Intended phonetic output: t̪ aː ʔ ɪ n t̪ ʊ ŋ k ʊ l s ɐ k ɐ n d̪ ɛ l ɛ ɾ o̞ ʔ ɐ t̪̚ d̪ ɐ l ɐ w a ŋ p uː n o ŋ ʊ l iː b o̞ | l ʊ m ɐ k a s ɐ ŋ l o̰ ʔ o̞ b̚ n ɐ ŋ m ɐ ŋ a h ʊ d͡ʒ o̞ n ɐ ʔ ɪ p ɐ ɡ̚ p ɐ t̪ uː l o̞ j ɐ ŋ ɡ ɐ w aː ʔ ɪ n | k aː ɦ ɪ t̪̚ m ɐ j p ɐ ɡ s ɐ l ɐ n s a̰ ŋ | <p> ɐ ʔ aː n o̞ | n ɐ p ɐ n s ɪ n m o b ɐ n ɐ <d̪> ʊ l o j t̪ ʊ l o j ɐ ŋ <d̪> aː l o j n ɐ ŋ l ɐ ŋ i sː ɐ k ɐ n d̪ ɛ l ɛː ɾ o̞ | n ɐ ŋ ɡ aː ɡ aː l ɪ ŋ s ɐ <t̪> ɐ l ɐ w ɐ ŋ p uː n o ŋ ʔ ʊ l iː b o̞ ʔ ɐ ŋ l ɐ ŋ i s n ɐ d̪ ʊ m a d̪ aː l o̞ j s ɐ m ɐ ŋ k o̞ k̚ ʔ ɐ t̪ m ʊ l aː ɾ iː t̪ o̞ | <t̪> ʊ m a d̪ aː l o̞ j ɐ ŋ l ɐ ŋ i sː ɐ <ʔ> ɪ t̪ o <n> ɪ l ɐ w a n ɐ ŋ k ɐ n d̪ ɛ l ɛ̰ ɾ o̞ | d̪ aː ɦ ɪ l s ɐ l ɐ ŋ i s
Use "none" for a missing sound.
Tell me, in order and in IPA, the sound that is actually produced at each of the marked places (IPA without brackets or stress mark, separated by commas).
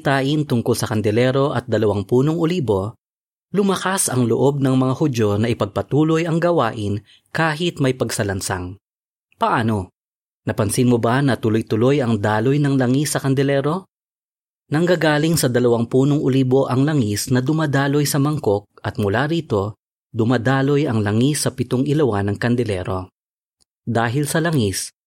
p, t̪, d̪, d̪, d̪, p, ŋ